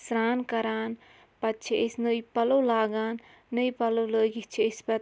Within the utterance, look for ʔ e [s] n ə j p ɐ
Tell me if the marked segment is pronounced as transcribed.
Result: yes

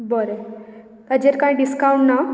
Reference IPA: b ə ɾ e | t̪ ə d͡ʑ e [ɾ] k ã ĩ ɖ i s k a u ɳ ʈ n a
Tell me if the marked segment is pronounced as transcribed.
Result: yes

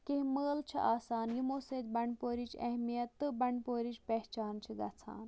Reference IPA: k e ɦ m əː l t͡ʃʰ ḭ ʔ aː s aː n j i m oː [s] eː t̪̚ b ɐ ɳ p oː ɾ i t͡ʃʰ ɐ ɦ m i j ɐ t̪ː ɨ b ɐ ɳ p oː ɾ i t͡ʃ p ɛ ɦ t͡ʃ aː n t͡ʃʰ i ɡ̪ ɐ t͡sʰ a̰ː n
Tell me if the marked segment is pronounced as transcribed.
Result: yes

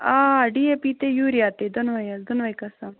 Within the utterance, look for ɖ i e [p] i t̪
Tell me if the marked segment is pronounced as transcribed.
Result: yes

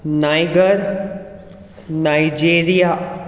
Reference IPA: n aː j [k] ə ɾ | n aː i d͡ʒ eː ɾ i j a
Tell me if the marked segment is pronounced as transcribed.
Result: no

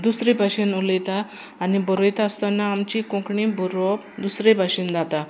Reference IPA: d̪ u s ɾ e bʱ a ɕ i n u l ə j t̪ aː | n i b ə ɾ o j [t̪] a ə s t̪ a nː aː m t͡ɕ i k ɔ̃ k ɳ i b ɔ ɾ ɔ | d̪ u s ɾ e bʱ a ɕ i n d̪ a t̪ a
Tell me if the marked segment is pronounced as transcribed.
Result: yes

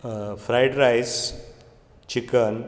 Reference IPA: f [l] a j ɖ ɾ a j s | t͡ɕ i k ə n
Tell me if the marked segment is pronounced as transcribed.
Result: no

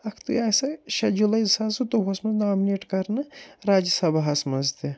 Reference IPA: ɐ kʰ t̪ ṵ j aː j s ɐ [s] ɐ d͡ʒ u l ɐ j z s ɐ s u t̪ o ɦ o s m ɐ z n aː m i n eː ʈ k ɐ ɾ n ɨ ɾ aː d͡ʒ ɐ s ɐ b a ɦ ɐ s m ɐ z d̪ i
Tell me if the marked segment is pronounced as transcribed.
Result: no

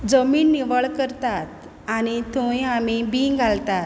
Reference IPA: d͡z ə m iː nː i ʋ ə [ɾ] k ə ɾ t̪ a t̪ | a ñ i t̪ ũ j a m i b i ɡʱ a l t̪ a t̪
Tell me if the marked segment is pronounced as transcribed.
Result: no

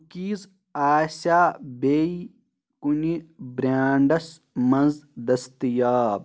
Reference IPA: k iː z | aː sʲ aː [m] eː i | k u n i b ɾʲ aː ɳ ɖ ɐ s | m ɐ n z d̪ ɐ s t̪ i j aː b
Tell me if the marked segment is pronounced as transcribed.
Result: no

